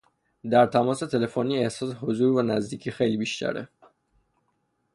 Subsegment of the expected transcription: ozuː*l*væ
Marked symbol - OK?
no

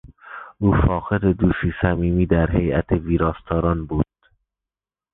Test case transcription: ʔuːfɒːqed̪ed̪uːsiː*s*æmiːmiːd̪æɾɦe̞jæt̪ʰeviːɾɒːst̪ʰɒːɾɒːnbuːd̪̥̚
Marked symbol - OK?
yes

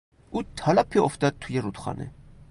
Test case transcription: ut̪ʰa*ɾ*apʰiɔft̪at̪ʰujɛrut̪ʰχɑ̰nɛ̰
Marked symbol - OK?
no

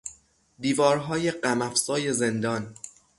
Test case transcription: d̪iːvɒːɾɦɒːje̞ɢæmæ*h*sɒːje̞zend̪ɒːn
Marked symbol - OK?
no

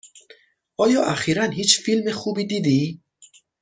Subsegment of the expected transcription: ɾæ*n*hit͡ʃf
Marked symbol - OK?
yes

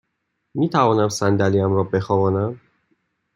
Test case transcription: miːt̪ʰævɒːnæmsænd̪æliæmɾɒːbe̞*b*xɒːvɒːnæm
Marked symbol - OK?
no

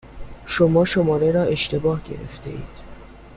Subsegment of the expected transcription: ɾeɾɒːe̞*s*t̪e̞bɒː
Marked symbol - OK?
no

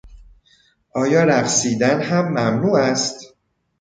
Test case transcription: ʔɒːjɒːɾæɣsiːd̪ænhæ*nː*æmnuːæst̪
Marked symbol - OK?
no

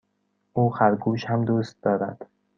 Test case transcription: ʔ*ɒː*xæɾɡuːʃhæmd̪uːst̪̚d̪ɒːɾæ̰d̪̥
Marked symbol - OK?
no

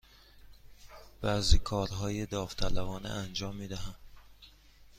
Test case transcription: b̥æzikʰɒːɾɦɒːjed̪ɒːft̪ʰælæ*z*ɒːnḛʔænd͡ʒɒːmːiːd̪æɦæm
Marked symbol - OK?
no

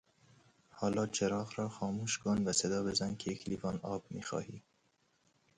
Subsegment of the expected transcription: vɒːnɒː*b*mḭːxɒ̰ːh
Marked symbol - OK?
yes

